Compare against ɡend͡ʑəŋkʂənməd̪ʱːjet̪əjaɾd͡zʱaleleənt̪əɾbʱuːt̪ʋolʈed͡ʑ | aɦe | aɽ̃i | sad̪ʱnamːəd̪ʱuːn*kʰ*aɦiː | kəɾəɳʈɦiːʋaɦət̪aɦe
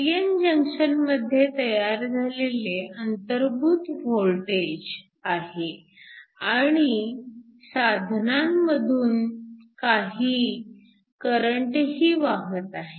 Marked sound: incorrect: k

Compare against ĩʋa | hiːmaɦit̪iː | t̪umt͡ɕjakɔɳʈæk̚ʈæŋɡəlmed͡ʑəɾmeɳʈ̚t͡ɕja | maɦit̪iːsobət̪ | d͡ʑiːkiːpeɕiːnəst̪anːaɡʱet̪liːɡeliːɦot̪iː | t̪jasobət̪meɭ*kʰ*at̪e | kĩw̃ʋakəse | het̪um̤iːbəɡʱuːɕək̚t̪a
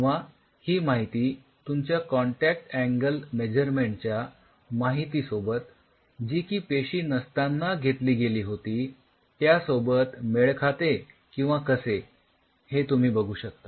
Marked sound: correct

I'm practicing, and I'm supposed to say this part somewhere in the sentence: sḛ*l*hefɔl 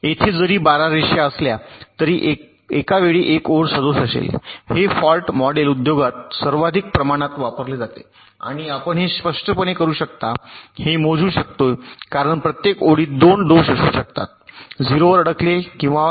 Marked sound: correct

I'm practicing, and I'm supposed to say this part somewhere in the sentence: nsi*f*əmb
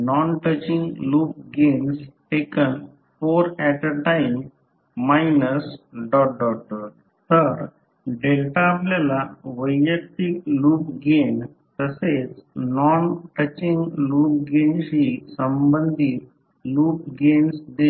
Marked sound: incorrect: s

